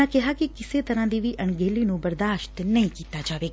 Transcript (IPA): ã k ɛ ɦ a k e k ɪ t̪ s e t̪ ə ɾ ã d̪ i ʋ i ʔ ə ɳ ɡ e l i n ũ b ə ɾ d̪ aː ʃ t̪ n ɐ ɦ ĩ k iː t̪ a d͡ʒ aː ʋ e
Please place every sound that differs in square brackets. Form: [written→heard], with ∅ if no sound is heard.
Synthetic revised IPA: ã k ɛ ɦ a k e k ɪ [t̪→∅] s e t̪ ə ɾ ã d̪ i ʋ i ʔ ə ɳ ɡ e l i n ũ b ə ɾ d̪ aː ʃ t̪ n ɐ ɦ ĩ k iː t̪ a d͡ʒ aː ʋ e